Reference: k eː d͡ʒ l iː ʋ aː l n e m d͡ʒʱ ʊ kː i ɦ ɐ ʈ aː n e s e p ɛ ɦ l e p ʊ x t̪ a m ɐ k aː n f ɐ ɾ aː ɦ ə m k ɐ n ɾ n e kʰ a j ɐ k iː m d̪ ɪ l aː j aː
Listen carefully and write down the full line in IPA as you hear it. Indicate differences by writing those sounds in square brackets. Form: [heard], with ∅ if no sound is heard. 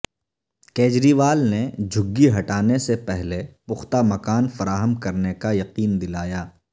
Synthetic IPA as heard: k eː d͡ʒ [ɾ] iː ʋ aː l n e [∅] d͡ʒʱ ʊ [ɡː] i ɦ ɐ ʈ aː n e s e p ɛ ɦ l e p ʊ x t̪ a m ɐ k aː n f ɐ ɾ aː ɦ ə m k ɐ [∅] ɾ n e [k] a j ɐ [q] iː [n] d̪ ɪ l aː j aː

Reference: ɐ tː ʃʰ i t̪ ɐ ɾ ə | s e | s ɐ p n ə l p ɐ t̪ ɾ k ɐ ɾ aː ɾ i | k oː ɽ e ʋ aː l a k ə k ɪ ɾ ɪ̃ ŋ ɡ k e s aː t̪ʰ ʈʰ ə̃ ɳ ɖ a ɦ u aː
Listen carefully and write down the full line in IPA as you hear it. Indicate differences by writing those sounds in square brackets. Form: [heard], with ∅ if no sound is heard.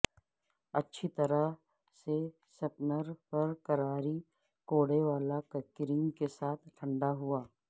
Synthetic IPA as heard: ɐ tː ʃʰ i t̪ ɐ ɾ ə | s e | s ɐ p n ə [ɾ] p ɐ [∅] ɾ k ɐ ɾ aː ɾ i | k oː ɽ e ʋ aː l a k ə k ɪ ɾ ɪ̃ ŋ ɡ k e s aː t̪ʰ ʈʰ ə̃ ɳ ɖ a ɦ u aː

